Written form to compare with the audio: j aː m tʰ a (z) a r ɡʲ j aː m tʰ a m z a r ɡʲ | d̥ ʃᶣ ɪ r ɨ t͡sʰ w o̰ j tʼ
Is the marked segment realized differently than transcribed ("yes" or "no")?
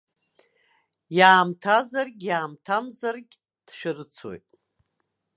no